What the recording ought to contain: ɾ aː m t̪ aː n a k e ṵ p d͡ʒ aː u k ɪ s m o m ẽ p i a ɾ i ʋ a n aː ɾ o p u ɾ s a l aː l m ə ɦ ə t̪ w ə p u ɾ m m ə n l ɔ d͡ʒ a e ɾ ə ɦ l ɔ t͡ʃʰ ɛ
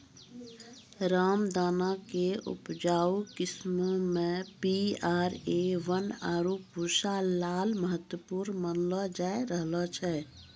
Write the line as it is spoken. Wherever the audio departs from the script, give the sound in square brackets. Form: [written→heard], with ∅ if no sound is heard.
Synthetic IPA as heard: ɾ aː m [t̪→d̪] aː n a k e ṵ p d͡ʒ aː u k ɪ s m o m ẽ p i a ɾ [i→e] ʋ [a→ə] n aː ɾ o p u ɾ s a l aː l m ə ɦ ə t̪ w ə p u ɾ [m→n] m ə n l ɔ d͡ʒ a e ɾ ə ɦ l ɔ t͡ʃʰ ɛ